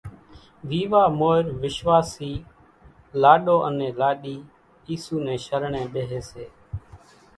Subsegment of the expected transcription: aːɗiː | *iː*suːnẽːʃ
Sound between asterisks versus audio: correct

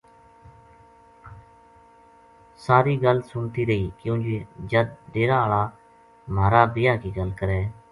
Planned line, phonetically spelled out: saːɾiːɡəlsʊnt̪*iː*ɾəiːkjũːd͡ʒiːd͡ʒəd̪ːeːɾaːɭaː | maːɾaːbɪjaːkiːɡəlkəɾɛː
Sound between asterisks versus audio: correct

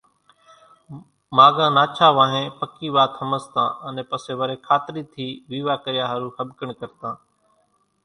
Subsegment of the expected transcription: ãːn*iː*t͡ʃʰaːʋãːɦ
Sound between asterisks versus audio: incorrect: aː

